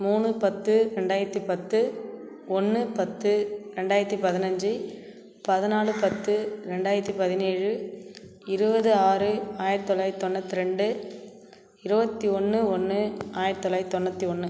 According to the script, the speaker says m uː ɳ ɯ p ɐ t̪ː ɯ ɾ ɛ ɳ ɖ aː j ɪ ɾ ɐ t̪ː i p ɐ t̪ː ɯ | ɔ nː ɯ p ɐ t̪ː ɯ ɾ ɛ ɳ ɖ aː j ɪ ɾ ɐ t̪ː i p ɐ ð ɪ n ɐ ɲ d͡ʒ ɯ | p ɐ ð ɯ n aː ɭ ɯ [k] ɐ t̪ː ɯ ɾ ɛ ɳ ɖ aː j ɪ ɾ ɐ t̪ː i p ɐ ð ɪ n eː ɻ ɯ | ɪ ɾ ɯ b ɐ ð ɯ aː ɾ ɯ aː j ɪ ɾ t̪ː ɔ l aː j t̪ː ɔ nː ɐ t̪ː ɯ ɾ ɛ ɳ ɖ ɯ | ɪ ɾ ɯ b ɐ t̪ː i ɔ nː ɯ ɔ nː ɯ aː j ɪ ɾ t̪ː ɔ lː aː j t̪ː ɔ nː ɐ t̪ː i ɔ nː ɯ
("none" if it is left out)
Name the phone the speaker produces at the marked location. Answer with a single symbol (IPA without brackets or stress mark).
p